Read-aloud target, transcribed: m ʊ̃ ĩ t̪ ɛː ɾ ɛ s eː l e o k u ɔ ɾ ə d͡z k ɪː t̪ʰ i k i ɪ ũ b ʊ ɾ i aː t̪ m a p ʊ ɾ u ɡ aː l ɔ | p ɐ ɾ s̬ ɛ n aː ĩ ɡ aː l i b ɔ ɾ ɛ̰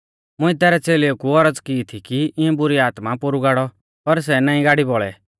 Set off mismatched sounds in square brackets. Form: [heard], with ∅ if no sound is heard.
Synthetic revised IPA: m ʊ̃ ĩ t̪ ɛː ɾ ɛ [t͡s] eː l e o k u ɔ ɾ ə d͡z k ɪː t̪ʰ i k i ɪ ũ b ʊ ɾ i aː t̪ m a p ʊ ɾ u ɡ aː [ɽ] ɔ | p ɐ ɾ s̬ ɛ n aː ĩ ɡ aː [ɽ] i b ɔ [ɭ] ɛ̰